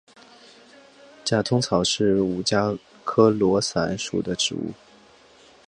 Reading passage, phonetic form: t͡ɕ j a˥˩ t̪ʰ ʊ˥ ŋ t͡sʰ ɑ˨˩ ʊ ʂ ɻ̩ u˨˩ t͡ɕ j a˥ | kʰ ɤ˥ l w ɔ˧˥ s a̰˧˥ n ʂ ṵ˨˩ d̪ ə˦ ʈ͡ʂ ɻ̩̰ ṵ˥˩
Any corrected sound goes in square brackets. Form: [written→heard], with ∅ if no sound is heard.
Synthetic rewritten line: t͡ɕ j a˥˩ t̪ʰ ʊ˥ ŋ t͡sʰ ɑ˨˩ ʊ ʂ ɻ̩ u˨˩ t͡ɕ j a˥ | kʰ ɤ˥ l w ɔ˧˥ s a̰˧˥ n ʂ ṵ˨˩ d̪ ə˦ ʈ͡ʂ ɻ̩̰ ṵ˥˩